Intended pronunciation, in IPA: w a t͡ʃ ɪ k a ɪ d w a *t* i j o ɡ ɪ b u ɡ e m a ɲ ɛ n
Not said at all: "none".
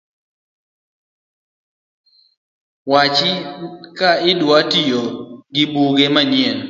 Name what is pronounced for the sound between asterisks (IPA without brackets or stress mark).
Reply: t